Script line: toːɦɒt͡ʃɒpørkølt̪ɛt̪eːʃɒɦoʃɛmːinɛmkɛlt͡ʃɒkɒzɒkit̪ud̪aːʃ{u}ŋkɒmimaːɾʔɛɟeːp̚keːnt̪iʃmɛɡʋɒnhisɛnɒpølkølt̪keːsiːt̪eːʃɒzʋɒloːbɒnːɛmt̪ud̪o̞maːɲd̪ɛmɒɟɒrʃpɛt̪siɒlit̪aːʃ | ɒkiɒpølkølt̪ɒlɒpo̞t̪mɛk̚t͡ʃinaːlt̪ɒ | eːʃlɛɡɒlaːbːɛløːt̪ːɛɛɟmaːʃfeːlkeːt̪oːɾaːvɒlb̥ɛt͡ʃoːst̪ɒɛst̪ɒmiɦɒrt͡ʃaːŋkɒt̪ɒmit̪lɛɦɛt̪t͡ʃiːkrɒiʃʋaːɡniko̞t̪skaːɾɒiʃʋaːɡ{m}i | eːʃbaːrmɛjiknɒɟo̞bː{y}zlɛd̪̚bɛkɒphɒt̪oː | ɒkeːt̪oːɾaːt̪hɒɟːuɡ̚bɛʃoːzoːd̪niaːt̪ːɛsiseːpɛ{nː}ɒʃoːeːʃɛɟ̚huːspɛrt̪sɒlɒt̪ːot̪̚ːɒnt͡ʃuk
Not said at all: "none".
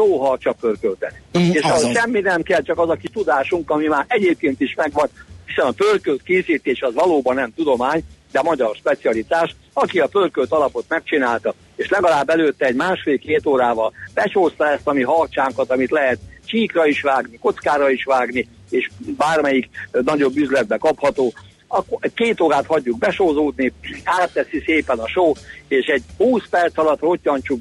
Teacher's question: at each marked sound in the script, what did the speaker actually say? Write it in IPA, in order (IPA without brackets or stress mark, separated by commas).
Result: u, n, y, n